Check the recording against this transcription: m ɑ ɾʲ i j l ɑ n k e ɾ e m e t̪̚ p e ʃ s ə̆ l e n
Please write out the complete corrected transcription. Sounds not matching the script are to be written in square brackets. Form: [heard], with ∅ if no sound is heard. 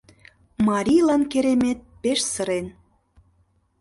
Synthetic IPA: m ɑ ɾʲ i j l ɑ n k e ɾ e m e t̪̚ p e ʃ s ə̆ [ɾ] e n